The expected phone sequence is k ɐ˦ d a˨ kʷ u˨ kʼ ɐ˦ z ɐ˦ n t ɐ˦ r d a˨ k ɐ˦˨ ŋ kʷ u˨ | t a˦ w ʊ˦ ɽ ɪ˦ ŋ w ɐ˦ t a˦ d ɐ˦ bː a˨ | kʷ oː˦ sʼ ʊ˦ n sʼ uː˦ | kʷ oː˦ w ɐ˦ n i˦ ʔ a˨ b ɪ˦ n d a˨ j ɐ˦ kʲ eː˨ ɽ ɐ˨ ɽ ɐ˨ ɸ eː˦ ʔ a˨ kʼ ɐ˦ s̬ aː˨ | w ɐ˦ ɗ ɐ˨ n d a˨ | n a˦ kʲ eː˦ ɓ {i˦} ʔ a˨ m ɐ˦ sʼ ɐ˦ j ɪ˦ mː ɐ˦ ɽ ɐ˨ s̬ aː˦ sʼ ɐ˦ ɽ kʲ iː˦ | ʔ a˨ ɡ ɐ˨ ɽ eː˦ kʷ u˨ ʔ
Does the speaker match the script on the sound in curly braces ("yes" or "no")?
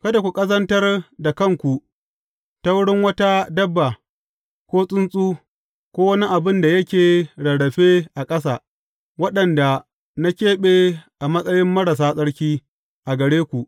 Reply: no